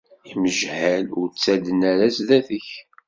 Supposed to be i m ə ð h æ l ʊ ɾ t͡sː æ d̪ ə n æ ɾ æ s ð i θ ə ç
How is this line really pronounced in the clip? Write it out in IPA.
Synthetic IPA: i m ə ʒ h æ l ʊ ɾ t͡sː æ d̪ ə n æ ɾ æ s ð æ θ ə ç